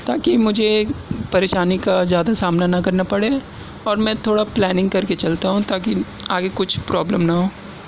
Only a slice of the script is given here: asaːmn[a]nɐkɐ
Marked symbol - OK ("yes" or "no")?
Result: yes